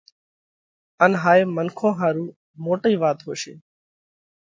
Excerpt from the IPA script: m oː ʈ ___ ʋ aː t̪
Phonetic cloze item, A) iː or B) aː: A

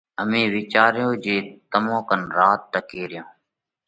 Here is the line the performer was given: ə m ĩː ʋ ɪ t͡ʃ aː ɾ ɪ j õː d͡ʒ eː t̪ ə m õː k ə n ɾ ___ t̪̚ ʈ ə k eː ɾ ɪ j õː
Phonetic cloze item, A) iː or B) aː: B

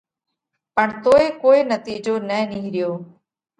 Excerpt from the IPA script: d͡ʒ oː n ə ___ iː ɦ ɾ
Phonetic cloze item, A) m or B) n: B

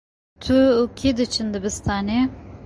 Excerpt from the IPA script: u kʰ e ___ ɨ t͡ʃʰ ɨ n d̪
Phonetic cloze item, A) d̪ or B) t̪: A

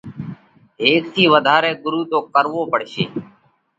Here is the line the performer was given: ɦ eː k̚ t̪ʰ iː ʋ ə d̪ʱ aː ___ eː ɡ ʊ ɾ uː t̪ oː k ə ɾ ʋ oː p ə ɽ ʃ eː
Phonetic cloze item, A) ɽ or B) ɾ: B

